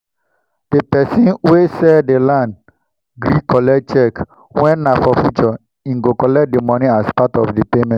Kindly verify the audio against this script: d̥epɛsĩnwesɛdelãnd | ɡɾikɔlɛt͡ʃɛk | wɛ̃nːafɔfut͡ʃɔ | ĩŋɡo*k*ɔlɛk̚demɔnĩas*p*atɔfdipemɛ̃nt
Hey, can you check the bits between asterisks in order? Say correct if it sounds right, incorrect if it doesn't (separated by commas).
correct, correct